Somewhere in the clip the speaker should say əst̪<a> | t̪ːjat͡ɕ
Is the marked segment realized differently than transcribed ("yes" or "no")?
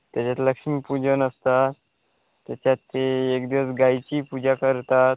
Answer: no